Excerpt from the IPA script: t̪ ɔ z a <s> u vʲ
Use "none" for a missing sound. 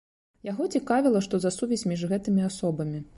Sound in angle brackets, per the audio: s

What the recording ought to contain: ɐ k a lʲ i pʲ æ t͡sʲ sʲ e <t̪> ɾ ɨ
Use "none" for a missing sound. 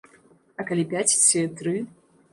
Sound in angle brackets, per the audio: t̪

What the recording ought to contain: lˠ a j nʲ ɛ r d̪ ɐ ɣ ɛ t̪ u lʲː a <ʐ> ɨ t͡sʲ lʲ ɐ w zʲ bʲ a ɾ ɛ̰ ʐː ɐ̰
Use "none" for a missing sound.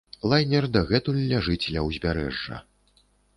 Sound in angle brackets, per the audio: ʐ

